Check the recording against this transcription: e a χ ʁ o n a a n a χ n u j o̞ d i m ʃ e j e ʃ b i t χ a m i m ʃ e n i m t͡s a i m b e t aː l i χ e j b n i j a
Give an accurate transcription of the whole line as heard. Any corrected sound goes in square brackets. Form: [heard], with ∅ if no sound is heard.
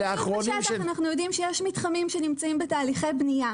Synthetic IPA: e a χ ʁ o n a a n a χ n u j o̞ d i m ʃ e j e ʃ [m] i t χ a m i m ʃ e n i m t͡s a i m b e t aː l i χ e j b n i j a